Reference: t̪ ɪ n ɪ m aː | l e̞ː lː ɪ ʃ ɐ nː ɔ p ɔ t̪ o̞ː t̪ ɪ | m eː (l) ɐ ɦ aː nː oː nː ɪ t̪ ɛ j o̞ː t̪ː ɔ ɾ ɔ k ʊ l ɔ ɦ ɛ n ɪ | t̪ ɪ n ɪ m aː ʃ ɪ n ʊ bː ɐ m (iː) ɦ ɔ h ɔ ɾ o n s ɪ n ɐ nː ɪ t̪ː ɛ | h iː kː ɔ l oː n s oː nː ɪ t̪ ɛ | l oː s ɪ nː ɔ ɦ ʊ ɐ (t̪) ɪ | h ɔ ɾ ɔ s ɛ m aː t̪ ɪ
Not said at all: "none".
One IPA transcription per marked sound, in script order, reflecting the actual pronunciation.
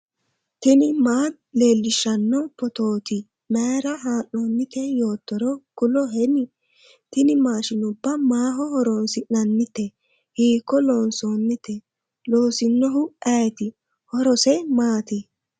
ɾ, aː, t̪

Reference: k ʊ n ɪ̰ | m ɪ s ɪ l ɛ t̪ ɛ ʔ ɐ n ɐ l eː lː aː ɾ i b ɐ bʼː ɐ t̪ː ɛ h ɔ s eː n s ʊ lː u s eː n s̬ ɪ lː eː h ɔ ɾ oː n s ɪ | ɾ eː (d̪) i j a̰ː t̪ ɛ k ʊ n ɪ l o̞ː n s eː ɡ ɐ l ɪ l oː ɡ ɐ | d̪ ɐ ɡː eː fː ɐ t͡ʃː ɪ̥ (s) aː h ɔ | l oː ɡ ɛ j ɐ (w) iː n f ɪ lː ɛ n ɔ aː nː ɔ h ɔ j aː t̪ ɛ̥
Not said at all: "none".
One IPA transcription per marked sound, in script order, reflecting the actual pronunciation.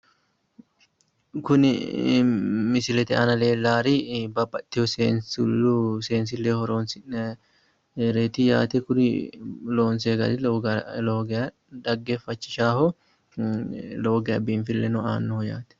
t̪, ʃ, b

